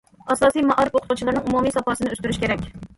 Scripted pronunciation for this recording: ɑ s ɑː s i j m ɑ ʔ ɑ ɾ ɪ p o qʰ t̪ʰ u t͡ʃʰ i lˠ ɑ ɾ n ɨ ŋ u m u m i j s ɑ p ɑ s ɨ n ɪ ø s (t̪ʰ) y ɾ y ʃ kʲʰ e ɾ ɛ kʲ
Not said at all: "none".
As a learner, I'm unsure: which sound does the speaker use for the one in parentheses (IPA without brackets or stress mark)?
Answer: t̪